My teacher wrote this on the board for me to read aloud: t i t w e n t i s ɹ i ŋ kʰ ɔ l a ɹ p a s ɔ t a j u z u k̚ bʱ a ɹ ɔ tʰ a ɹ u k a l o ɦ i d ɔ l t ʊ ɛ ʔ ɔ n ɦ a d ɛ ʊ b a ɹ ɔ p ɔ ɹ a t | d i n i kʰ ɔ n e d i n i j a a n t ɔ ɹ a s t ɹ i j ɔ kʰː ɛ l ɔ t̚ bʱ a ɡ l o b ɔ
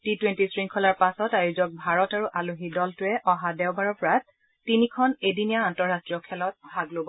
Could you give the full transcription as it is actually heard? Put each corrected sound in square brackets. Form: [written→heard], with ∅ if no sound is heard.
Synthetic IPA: t i t w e n t i s ɹ i ŋ kʰ ɔ l a ɹ p a s ɔ t a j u z [u→ɔ] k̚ bʱ a ɹ ɔ [tʰ→t] a ɹ u [k→ʔ] a l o ɦ i d ɔ l t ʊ ɛ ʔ ɔ [n→∅] ɦ a d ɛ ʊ b a ɹ ɔ p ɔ ɹ a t | [d→t] i n i kʰ ɔ n e d i n i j a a n t ɔ ɹ a s t ɹ i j ɔ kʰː ɛ l ɔ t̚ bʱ a ɡ l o b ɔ